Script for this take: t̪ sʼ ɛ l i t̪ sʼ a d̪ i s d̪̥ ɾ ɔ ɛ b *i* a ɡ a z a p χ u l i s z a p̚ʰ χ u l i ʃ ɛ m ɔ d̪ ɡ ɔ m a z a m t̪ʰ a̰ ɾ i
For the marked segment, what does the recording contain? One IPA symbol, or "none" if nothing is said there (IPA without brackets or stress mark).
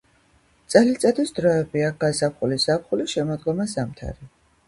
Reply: i